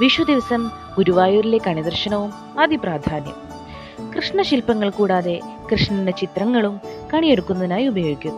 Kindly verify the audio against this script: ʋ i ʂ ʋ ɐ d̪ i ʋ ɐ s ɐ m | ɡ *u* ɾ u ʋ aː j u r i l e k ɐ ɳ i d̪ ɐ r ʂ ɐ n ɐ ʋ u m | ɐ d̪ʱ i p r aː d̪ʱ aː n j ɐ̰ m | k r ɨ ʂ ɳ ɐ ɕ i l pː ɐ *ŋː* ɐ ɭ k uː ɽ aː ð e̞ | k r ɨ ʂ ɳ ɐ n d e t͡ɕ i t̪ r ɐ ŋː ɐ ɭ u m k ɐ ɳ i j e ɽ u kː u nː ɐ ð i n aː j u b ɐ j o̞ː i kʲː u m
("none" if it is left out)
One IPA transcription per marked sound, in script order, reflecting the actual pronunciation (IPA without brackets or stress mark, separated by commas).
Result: u, ŋː